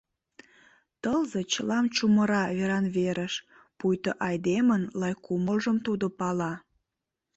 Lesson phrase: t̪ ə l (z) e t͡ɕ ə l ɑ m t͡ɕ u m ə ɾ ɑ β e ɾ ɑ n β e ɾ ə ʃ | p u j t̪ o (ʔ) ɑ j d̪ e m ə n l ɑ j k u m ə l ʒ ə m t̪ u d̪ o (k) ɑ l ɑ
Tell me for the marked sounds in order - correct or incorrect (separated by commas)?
correct, correct, incorrect